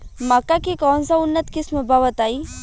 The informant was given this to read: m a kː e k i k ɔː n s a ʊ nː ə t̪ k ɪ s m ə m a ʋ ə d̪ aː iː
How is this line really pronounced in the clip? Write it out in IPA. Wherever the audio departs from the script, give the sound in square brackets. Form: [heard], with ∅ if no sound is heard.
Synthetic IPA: m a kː [a] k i k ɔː n s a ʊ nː ə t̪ k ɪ s m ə [b] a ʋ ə [t̪] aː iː